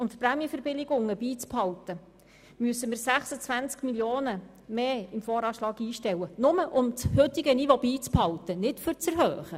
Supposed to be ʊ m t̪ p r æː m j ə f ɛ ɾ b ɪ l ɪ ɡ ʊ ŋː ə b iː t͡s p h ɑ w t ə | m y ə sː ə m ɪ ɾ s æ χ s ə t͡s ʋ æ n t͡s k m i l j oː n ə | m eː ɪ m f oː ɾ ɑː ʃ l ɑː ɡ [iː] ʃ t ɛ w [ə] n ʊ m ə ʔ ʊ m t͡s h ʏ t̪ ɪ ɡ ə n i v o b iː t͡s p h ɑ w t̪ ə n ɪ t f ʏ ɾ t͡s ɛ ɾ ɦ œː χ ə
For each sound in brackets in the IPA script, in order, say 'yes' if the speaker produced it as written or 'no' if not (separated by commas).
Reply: yes, yes